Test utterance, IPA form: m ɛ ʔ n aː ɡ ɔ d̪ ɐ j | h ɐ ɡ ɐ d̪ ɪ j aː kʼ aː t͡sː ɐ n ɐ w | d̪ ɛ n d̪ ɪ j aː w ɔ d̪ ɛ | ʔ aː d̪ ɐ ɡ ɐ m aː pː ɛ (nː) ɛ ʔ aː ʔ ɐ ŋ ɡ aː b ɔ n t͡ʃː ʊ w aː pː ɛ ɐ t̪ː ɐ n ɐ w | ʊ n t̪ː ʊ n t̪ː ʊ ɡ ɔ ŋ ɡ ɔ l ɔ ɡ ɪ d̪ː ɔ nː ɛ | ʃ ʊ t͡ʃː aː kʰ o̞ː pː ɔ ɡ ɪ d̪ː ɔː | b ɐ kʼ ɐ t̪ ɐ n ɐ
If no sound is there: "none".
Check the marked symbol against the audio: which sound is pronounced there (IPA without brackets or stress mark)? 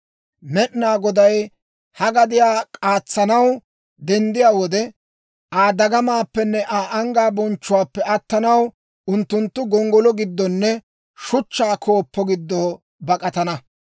nː